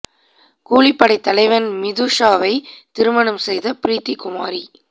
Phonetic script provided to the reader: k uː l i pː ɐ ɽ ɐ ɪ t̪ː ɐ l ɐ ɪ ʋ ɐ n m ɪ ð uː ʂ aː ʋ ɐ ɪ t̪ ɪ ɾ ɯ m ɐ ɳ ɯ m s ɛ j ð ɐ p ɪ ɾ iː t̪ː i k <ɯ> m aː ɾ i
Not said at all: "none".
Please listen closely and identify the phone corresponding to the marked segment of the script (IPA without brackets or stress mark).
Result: ʊ